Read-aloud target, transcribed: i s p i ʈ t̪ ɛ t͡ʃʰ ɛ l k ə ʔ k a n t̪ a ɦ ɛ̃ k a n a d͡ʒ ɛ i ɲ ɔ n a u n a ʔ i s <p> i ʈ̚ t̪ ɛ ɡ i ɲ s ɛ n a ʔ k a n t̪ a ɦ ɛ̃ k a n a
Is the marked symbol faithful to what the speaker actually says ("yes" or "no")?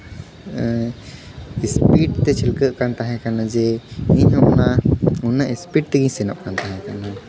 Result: yes